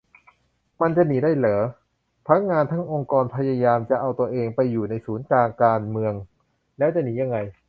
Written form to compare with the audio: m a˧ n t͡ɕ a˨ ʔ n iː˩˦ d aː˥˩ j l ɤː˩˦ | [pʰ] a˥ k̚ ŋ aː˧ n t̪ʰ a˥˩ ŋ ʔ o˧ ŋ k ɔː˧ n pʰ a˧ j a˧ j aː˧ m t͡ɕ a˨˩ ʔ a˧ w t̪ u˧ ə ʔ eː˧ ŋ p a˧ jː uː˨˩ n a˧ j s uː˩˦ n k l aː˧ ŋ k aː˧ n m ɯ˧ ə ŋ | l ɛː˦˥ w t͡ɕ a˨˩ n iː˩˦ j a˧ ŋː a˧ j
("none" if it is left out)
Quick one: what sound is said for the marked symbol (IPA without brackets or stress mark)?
pʰ